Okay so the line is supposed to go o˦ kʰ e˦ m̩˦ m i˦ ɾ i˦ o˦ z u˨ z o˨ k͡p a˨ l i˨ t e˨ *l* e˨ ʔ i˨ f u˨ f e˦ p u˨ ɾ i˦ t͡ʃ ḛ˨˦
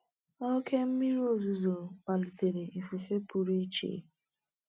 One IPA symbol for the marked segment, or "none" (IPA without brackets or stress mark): ɾ